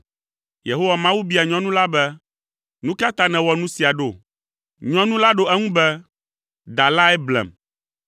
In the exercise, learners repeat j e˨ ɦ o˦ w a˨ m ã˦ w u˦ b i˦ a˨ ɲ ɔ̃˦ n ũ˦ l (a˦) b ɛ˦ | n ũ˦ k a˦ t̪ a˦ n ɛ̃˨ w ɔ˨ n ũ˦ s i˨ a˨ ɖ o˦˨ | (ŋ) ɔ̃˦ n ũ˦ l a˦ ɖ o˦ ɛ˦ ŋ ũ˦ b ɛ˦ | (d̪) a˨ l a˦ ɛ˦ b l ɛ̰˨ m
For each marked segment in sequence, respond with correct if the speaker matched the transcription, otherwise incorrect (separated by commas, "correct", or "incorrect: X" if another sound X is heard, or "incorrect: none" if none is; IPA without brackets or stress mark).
correct, incorrect: ɲ, correct